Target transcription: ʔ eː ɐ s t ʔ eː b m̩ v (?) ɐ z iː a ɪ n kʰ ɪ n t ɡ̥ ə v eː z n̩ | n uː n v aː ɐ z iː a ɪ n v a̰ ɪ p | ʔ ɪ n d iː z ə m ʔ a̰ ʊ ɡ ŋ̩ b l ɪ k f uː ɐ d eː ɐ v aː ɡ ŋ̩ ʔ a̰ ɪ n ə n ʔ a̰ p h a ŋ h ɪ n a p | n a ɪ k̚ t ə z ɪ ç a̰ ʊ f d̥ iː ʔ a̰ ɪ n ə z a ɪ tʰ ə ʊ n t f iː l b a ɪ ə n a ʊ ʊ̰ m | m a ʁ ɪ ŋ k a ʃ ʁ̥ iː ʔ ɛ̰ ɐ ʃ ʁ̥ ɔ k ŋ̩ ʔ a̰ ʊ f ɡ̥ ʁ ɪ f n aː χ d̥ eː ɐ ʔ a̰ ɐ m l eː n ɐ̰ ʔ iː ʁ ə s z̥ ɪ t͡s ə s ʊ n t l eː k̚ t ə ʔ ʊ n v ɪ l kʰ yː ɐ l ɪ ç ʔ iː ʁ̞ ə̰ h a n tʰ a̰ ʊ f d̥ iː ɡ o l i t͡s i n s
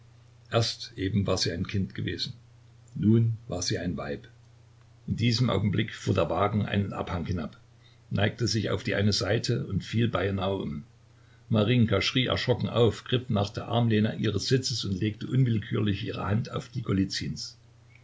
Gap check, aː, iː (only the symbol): aː